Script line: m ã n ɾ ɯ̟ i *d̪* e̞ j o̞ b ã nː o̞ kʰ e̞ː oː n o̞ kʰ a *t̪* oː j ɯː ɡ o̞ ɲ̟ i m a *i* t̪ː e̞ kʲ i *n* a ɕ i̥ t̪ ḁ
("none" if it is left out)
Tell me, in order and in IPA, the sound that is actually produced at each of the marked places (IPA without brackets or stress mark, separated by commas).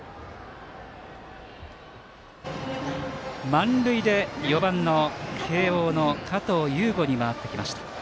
d̪, t̪, a, m